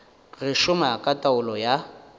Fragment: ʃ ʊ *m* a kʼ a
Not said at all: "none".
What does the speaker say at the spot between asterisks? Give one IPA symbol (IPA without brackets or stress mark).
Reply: m